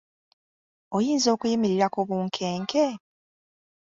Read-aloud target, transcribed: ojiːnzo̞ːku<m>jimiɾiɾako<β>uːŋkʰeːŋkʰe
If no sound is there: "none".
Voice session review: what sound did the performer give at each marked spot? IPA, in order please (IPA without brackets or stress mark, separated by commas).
none, β